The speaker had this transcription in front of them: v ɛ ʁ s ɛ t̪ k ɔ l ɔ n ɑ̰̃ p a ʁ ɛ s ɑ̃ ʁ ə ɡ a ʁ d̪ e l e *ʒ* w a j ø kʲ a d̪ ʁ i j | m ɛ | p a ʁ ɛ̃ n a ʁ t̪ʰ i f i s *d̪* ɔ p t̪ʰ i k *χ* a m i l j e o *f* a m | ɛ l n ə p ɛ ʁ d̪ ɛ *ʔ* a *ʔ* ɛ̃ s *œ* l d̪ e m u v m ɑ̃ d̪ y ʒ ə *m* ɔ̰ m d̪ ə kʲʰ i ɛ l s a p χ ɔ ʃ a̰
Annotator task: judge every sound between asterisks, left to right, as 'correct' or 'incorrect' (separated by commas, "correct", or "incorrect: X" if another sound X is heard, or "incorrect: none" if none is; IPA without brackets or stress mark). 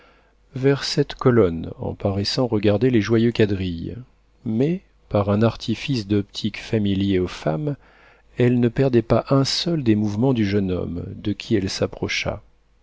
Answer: correct, correct, incorrect: f, correct, incorrect: p, correct, correct, incorrect: n